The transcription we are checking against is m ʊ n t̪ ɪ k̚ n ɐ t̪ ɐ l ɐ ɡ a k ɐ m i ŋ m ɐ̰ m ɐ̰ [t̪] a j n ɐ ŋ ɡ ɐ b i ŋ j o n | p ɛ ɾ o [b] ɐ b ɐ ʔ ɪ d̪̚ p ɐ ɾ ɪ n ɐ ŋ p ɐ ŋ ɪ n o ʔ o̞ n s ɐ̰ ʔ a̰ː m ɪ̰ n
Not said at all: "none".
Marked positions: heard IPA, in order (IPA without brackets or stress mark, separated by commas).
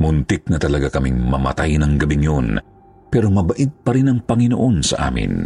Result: t̪, m